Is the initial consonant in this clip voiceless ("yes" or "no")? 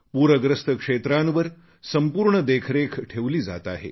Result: yes